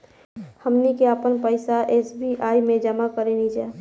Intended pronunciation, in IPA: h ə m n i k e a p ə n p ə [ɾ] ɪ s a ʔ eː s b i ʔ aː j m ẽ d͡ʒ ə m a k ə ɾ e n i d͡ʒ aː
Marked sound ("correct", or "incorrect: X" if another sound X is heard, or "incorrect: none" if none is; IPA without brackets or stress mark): incorrect: none